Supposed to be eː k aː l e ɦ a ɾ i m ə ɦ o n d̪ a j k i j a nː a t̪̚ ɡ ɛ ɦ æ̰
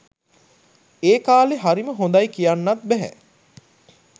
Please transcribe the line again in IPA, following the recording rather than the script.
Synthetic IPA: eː k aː l e ɦ a ɾ i m ə ɦ o n d̪ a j k i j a nː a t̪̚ b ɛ ɦ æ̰

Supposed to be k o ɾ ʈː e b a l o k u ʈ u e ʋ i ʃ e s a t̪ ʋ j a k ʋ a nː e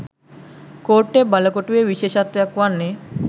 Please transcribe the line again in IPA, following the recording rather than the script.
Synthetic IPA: k o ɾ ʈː e b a l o k o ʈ u e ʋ i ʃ e ʃ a t̪ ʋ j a k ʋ a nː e

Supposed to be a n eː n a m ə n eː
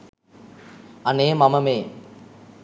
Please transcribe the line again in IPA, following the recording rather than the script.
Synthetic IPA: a n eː m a m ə m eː

